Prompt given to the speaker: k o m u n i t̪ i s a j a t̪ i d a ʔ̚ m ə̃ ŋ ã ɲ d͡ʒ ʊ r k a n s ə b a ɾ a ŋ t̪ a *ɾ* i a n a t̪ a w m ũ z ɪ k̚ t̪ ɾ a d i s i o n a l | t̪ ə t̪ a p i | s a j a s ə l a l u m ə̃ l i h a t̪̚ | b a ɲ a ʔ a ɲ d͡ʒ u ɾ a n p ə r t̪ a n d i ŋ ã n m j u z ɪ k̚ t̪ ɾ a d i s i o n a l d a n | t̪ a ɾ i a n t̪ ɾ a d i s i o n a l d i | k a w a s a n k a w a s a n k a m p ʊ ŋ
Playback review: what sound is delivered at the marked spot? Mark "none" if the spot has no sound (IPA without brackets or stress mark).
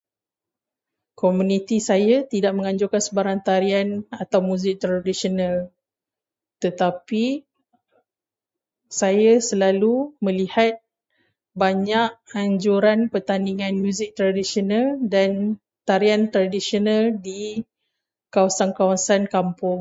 ɾ